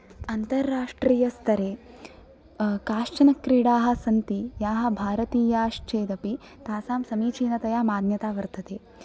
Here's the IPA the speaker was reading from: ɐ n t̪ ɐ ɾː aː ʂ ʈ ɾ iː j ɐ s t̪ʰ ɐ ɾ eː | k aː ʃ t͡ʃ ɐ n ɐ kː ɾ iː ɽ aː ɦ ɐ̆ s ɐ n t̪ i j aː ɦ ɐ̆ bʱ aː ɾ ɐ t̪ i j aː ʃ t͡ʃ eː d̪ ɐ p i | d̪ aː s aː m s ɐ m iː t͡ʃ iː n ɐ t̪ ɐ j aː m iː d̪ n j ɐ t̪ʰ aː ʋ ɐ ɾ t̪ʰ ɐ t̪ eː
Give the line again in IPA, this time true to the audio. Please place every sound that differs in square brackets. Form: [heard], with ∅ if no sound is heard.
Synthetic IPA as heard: ɐ n t̪ ɐ ɾː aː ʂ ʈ ɾ iː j ɐ s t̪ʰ ɐ ɾ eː | k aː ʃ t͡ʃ ɐ n ɐ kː ɾ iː ɽ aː ɦ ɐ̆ s ɐ n t̪ i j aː ɦ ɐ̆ bʱ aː ɾ ɐ t̪ [iː] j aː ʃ t͡ʃ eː d̪ ɐ p i | [t̪] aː s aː m s ɐ m iː t͡ʃ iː n ɐ t̪ ɐ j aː m [aː] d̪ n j ɐ [t̪] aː ʋ ɐ ɾ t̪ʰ ɐ t̪ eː

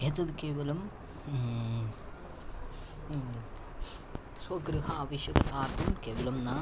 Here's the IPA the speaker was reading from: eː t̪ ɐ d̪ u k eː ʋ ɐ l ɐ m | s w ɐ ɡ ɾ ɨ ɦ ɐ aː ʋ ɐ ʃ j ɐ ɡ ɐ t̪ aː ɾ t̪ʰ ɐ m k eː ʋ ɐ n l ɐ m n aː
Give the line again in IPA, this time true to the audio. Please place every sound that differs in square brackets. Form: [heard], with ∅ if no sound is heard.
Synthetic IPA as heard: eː t̪ ɐ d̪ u k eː ʋ ɐ l ɐ m | s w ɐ ɡ ɾ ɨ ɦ ɐ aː ʋ ɐ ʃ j ɐ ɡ ɐ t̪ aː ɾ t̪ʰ ɐ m k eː ʋ ɐ [∅] l ɐ m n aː

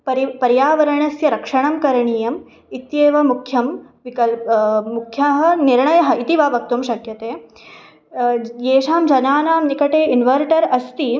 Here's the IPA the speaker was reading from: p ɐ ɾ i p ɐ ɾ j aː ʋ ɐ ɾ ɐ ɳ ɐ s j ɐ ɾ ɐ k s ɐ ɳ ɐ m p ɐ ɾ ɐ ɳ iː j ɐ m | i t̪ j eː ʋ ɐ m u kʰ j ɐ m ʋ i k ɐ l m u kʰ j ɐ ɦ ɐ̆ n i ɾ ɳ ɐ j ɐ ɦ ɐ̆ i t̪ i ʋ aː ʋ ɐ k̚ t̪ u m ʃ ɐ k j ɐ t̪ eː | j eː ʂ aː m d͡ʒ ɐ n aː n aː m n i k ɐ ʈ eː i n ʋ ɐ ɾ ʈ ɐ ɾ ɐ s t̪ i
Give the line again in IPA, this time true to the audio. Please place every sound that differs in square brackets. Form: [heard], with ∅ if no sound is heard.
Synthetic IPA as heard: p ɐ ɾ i p ɐ ɾ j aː ʋ ɐ ɾ ɐ ɳ ɐ s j ɐ ɾ ɐ k [ʂ] ɐ ɳ ɐ m [k] ɐ ɾ ɐ ɳ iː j ɐ m | i t̪ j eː ʋ ɐ m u kʰ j ɐ m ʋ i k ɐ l m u kʰ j ɐ ɦ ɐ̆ n i ɾ ɳ ɐ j ɐ ɦ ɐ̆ i t̪ i ʋ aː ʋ ɐ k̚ t̪ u m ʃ ɐ k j ɐ t̪ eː | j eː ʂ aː m d͡ʒ ɐ n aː n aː m n i k ɐ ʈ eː i n ʋ ɐ ɾ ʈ ɐ ɾ ɐ s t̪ i

